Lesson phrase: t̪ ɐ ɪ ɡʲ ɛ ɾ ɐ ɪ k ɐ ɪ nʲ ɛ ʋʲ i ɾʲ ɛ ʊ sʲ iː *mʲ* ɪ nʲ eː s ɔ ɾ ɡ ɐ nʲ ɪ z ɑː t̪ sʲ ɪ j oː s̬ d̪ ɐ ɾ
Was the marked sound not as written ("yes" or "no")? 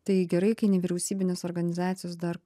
yes